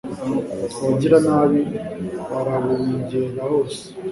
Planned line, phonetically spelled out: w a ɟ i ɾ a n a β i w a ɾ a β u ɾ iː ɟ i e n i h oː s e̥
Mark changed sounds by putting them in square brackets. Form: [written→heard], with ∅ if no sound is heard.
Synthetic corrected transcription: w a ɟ i ɾ a n a β i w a ɾ a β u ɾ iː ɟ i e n [i→a] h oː s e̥